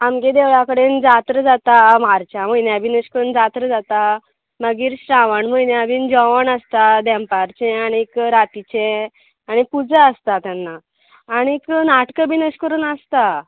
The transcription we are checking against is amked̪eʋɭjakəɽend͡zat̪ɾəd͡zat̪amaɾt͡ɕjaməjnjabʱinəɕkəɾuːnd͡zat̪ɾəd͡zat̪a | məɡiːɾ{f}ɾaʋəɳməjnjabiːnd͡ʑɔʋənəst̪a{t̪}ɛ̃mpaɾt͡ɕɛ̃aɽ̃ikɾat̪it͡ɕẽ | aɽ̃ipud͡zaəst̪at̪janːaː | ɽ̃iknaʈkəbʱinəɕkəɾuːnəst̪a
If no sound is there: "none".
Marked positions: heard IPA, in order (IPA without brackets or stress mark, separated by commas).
ɕ, d̪